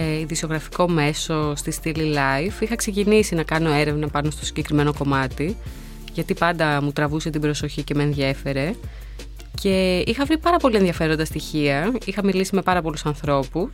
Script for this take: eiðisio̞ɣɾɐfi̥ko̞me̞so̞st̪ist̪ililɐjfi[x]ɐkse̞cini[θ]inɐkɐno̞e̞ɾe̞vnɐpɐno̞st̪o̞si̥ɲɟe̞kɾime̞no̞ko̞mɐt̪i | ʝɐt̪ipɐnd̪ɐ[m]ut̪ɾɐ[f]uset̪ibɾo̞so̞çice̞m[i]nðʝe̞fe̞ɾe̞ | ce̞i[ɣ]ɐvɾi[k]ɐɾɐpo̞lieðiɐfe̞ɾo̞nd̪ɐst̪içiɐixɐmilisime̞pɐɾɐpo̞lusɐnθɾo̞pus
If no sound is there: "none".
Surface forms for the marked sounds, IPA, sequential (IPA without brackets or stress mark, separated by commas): x, s, m, v, e, x, p